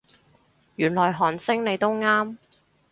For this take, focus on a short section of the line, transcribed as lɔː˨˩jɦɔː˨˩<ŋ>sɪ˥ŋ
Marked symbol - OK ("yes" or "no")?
no